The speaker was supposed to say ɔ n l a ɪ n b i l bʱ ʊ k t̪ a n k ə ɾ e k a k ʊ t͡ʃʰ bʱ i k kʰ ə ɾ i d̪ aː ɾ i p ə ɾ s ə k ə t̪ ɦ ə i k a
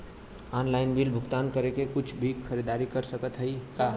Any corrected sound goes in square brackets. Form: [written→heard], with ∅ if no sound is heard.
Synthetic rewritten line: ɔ n l a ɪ n b i l bʱ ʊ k t̪ a n k ə ɾ e k [a→e] k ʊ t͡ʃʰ bʱ i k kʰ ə ɾ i d̪ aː ɾ i [p→k] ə ɾ s ə k ə t̪ ɦ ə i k a